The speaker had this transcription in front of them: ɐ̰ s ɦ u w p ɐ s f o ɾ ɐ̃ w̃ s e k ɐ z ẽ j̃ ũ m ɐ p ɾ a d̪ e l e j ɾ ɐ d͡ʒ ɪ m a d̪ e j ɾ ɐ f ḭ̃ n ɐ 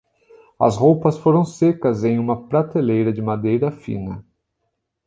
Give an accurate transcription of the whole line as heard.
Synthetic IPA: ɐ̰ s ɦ o w p ɐ s f o ɾ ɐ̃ w̃ s e k ɐ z ẽ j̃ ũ m ɐ p ɾ a t̪ e l e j ɾ ɐ d͡ʒ ɪ m a d̪ e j ɾ ɐ f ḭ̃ n ɐ